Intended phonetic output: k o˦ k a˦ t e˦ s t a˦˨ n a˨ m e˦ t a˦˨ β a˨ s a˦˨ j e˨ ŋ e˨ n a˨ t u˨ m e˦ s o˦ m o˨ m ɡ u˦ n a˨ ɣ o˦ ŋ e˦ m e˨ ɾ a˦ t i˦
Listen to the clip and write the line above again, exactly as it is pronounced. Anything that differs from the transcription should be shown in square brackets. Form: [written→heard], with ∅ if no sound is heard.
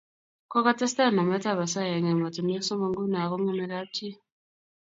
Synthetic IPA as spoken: k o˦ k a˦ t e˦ s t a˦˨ n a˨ m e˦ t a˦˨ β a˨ s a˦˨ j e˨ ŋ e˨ [n→m] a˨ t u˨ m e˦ s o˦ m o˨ [m→ŋ] ɡ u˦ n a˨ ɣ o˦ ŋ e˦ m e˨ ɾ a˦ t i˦